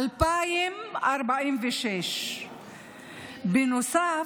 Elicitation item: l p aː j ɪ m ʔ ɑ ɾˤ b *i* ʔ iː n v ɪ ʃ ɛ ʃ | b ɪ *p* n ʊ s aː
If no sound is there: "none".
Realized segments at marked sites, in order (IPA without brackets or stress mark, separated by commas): a, none